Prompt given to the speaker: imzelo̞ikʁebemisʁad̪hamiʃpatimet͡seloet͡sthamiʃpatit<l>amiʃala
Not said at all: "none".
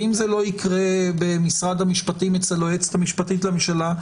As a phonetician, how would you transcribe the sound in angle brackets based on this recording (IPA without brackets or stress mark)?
l